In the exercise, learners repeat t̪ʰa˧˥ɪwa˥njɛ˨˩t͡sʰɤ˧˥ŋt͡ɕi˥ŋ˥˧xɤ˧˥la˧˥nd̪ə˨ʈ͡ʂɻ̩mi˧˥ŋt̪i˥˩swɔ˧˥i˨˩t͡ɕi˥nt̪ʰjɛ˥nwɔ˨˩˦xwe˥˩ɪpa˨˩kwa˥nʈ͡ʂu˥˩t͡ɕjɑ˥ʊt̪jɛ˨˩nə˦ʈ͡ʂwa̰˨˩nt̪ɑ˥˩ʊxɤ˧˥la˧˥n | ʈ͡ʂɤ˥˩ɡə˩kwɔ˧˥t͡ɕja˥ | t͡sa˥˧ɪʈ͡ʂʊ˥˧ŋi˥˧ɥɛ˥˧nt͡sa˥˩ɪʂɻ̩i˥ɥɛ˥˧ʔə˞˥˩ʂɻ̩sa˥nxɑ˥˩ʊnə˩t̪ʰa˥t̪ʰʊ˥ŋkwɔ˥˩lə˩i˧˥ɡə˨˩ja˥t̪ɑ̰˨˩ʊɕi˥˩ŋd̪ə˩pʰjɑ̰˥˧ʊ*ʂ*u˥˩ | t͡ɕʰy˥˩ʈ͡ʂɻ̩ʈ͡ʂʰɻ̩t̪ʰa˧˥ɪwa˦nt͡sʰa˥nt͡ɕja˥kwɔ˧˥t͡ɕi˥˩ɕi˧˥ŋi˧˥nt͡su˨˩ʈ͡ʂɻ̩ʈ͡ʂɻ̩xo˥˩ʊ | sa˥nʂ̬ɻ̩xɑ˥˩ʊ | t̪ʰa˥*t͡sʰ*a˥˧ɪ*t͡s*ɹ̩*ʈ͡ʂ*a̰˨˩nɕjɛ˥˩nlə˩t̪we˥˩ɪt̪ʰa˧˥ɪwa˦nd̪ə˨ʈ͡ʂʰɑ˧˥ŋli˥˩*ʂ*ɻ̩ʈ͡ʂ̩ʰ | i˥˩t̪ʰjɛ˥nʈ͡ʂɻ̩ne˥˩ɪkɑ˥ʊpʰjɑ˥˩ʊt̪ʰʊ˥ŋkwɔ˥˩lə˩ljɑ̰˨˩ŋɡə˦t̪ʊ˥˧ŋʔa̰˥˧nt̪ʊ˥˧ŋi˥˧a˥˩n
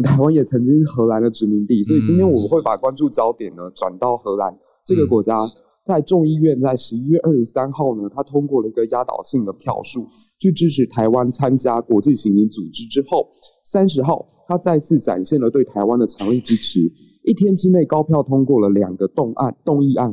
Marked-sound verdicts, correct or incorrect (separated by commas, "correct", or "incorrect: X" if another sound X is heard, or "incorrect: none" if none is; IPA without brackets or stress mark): correct, incorrect: t͡s, incorrect: t͡sʰ, correct, incorrect: ʈ͡ʂ